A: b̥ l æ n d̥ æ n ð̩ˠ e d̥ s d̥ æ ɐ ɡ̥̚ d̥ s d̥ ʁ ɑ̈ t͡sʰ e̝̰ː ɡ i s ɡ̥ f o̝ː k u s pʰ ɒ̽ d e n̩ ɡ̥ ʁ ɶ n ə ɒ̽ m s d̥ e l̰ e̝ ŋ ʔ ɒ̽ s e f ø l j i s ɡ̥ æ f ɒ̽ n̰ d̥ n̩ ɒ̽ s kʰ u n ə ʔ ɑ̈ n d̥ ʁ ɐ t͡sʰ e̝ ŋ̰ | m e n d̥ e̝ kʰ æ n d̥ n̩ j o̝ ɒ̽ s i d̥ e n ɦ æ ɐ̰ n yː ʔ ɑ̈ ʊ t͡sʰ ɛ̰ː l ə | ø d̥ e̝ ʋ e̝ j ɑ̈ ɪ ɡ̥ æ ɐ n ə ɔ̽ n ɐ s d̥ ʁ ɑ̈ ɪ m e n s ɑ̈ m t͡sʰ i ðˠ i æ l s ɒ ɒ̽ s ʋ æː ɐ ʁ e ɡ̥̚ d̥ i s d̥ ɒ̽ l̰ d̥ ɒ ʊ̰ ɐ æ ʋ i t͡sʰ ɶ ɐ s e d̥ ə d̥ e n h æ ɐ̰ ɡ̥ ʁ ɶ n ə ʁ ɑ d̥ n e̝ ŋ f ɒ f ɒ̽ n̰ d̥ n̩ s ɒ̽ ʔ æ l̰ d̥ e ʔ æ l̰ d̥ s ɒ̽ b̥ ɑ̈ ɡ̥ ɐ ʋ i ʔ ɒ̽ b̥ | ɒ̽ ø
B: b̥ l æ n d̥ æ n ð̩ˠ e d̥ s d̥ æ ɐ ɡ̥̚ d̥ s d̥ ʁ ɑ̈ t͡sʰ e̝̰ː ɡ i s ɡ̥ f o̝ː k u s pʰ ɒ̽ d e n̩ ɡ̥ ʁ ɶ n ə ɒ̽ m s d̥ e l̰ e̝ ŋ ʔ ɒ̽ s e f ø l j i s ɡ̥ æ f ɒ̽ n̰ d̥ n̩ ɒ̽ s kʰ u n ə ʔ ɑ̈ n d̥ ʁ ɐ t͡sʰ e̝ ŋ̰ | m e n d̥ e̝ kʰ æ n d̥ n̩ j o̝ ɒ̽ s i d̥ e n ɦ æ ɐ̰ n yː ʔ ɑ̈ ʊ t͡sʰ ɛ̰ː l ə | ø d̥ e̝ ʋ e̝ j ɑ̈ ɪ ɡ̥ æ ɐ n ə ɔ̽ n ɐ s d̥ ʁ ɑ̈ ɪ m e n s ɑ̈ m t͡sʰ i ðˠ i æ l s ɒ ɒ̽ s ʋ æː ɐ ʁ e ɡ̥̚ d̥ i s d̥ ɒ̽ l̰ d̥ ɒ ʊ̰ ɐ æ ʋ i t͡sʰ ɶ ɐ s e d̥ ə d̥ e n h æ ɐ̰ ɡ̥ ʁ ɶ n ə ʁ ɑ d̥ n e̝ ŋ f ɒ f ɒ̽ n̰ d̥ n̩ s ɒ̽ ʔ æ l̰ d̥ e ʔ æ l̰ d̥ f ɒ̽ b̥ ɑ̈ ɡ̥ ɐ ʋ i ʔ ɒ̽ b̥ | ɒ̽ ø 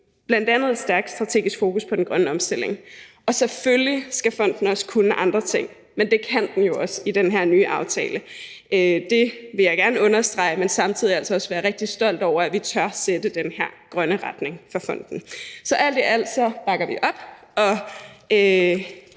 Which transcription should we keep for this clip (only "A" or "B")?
A